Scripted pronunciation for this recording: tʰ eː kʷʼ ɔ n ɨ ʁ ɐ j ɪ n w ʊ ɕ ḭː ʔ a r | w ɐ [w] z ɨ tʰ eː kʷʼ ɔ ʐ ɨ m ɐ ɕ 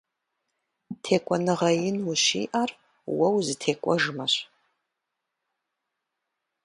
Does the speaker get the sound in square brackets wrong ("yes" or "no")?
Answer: no